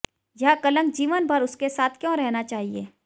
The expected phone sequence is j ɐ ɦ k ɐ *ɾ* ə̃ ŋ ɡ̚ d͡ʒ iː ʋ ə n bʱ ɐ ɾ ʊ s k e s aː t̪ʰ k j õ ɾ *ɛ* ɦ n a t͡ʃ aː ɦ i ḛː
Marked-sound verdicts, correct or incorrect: incorrect, correct

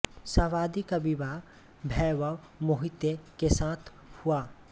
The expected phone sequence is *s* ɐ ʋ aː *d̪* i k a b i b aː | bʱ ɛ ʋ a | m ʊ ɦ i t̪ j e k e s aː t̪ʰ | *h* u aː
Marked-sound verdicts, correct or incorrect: correct, correct, correct

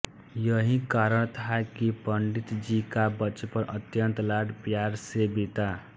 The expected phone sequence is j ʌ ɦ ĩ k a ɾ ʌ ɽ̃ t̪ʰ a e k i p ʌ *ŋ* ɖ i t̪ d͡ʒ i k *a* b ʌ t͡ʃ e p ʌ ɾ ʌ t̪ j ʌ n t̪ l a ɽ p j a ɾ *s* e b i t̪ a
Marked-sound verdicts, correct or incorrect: incorrect, correct, correct

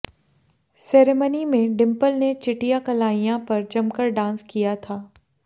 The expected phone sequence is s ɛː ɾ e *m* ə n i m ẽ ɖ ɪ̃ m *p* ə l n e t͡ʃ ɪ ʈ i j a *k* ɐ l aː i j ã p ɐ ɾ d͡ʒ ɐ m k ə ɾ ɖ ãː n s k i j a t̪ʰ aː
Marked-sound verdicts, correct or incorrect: correct, correct, correct

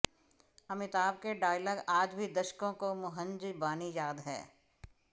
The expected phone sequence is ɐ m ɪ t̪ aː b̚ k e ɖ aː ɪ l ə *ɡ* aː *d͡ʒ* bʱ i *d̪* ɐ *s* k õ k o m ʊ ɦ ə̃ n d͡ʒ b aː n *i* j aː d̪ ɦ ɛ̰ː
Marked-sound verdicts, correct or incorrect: correct, correct, correct, incorrect, correct

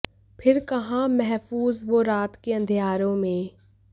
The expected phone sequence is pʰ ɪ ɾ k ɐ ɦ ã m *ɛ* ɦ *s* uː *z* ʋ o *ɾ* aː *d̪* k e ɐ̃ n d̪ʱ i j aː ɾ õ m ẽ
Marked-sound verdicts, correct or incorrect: correct, incorrect, correct, correct, incorrect

